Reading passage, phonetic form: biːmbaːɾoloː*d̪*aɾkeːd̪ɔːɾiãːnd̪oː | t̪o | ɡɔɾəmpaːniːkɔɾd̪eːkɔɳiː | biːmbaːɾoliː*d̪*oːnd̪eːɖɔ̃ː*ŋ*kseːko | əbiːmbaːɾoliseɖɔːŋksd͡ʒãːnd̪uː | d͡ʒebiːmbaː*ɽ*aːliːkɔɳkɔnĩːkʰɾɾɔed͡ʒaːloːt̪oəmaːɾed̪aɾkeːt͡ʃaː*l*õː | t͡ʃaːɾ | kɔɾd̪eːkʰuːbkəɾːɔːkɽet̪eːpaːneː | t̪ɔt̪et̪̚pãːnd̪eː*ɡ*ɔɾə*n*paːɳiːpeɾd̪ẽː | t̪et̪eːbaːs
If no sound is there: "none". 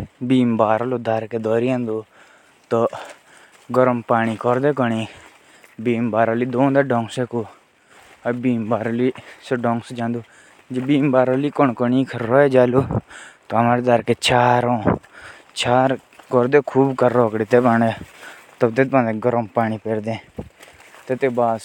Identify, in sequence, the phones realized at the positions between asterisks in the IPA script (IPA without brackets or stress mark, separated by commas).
d̪, d̪, ŋ, ɾ, ɾ, ɡ, m